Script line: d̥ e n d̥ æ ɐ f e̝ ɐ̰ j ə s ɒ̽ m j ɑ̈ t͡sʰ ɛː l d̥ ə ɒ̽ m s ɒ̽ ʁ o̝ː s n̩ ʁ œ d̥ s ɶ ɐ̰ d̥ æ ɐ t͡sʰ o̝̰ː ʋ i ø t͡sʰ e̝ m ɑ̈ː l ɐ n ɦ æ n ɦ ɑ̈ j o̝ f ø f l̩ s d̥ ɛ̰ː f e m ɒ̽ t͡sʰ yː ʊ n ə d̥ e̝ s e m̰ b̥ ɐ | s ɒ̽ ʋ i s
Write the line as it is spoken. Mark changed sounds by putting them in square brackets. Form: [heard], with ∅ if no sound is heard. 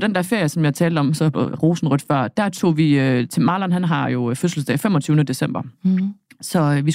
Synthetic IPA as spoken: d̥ e n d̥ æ ɐ f e̝ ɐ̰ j ə s ɒ̽ m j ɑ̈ t͡sʰ ɛː l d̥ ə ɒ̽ m s ɒ̽ ʁ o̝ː s n̩ ʁ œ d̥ [f] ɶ ɐ̰ d̥ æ ɐ t͡sʰ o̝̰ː ʋ i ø t͡sʰ e̝ m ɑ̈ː l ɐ n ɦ æ n ɦ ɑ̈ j o̝ f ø [s] l̩ s d̥ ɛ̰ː f e m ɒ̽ t͡sʰ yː ʊ n ə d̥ e̝ s e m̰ b̥ ɐ | s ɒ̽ ʋ i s